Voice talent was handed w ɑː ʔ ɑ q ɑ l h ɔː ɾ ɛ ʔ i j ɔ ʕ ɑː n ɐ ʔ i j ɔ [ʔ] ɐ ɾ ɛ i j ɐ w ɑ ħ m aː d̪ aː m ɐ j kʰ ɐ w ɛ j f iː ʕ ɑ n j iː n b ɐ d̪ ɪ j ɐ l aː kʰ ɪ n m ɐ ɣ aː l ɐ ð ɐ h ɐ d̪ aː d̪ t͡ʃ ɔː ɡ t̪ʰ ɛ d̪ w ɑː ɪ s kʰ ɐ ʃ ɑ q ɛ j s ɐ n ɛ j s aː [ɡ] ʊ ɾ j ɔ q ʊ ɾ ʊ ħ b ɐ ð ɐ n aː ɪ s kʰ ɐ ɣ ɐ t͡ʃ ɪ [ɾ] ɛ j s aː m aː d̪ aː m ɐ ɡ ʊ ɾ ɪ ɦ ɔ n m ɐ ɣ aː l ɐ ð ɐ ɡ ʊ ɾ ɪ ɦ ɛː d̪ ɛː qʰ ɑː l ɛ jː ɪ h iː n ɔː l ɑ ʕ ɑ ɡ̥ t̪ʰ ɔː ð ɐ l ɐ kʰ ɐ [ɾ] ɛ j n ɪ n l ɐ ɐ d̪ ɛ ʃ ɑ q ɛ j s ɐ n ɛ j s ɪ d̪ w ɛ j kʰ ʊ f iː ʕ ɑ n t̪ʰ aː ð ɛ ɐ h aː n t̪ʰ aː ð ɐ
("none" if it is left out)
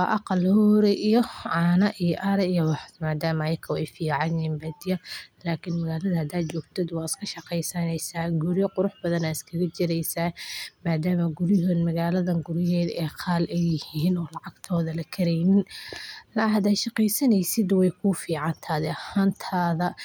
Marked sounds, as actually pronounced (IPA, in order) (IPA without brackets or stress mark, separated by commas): ʔ, ɡ, ɾ, ɾ